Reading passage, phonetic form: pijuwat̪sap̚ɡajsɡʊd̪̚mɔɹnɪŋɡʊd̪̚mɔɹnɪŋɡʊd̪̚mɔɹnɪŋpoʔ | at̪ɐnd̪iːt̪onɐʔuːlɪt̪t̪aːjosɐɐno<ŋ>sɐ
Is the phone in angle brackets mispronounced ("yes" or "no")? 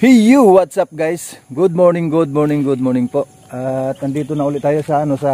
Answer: yes